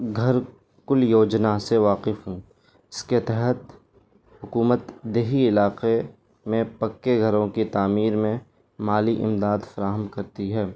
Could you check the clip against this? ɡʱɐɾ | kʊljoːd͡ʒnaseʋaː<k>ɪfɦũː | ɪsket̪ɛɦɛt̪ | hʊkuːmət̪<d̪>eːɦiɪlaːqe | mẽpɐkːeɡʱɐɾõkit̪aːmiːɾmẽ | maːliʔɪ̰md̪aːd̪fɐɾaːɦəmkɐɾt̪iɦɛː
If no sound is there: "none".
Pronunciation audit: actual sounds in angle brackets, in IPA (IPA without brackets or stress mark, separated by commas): q, d̪